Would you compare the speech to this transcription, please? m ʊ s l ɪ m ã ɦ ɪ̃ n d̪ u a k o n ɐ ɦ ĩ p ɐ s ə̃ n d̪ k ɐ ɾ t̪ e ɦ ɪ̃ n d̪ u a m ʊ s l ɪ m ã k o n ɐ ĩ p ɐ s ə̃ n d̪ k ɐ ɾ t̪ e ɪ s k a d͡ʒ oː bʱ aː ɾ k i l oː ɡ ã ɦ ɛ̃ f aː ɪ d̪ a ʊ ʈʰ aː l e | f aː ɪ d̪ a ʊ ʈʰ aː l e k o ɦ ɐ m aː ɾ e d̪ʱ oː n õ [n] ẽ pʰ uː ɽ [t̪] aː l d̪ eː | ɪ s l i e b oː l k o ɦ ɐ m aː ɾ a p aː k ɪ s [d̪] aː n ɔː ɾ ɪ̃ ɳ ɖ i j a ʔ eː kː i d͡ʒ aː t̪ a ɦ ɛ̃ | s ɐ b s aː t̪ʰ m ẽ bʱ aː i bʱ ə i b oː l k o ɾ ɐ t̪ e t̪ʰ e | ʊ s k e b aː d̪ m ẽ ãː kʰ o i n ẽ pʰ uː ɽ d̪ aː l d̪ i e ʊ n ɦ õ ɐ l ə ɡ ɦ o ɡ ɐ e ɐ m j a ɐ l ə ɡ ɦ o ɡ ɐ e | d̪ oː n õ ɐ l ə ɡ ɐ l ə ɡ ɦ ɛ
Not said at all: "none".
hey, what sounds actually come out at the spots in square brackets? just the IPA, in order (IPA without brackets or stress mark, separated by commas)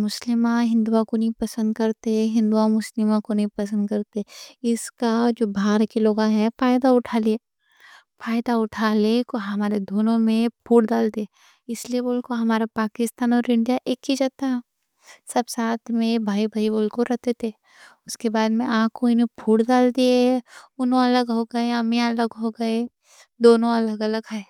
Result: m, d̪, t̪